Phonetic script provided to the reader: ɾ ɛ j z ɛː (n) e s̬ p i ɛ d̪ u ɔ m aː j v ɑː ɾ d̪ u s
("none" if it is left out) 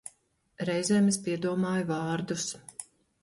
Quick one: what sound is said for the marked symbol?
m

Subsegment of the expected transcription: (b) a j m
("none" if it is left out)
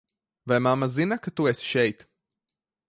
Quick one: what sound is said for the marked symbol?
v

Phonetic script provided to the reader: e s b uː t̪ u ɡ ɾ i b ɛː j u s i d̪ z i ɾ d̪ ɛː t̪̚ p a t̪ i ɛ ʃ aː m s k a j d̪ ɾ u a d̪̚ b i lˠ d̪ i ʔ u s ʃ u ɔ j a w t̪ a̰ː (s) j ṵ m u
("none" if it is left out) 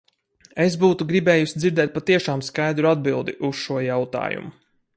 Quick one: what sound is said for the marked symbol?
none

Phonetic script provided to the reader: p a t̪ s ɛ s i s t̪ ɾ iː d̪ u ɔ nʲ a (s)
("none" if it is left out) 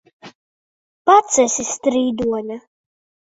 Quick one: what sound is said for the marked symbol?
none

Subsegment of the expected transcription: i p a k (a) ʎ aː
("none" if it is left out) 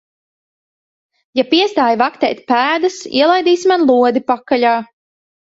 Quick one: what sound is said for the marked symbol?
a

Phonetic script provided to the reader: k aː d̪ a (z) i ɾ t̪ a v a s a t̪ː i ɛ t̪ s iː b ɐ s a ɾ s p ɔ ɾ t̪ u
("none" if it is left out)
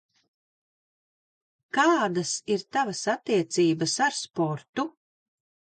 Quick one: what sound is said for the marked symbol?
s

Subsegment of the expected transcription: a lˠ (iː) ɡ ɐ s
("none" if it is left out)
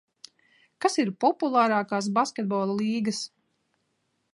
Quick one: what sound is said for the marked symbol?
iː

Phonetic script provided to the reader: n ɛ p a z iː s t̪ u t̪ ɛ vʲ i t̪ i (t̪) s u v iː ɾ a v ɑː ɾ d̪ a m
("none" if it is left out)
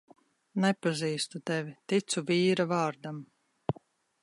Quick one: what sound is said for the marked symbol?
t̪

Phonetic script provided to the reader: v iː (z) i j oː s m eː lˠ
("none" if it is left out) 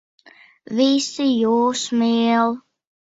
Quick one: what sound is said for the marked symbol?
s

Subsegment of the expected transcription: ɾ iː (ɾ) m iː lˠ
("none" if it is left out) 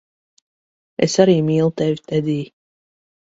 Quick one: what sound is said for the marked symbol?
none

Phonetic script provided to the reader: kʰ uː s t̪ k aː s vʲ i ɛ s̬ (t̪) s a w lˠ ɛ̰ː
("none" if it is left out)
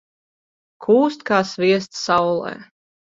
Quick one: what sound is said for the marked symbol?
t̪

